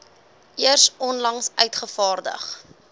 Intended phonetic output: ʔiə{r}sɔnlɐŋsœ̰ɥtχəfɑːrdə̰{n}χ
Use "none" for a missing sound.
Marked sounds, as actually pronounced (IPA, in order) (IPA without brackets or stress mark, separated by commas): r, none